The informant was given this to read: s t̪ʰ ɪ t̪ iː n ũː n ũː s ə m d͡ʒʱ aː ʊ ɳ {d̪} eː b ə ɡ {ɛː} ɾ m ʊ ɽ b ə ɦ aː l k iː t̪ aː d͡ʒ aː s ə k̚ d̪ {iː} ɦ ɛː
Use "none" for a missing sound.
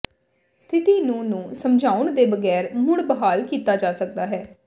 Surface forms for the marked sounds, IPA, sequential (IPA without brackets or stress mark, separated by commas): d̪, ɛː, aː